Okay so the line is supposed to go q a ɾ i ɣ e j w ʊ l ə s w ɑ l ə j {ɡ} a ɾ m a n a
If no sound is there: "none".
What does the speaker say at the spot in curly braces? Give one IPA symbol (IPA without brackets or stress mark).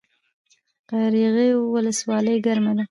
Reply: ɡ